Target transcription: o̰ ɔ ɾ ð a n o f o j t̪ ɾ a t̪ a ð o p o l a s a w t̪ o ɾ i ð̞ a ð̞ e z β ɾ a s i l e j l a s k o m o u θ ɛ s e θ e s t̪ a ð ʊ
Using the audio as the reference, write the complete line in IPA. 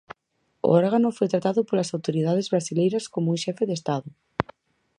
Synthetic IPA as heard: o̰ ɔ ɾ ɣ a n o f o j t̪ ɾ a t̪ a ð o p o l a s a w t̪ o ɾ i ð̞ a ð̞ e z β ɾ a s i l e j ɾ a s k o m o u ʃ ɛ f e ð e s t̪ a ð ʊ